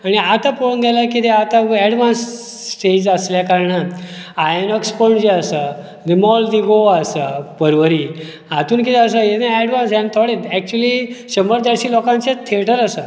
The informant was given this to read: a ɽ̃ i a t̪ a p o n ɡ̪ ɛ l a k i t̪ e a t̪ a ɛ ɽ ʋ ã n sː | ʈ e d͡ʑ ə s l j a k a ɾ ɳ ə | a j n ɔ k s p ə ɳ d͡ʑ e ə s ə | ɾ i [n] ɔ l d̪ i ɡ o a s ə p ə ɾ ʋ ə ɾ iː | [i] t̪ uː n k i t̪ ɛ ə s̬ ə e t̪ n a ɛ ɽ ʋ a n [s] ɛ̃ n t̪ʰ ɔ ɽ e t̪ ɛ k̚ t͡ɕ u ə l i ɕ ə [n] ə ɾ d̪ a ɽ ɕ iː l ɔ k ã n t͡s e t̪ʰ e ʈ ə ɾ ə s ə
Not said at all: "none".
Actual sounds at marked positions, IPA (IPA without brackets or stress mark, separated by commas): m, a, s, m